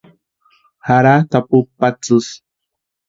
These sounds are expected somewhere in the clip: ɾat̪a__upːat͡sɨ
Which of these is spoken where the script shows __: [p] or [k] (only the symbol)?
p